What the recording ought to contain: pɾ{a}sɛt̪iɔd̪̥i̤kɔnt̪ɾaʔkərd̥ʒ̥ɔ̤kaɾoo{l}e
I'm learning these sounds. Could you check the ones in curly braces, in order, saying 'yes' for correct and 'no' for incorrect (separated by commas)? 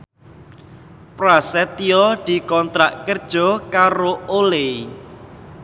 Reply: yes, yes